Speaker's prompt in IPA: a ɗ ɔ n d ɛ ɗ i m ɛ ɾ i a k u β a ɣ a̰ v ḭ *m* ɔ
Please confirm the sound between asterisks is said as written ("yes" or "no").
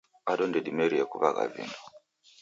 no